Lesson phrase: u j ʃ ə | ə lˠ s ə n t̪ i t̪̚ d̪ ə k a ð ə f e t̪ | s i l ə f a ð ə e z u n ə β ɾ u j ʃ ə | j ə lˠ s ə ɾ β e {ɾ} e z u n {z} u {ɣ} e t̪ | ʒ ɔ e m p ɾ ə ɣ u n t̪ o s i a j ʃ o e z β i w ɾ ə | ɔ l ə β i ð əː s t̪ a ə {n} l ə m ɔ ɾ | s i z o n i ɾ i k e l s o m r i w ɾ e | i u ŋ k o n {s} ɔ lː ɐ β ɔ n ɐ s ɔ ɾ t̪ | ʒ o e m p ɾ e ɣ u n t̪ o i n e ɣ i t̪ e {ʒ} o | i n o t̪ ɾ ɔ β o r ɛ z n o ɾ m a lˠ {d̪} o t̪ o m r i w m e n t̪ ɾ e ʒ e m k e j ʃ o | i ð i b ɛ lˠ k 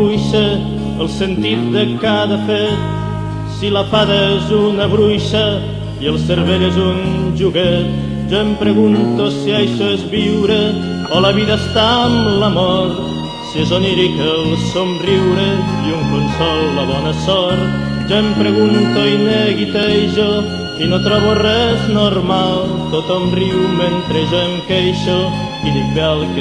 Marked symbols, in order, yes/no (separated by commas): no, no, yes, no, yes, yes, no